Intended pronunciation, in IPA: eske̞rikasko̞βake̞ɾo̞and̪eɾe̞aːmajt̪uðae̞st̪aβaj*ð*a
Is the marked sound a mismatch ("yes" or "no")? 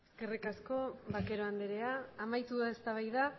no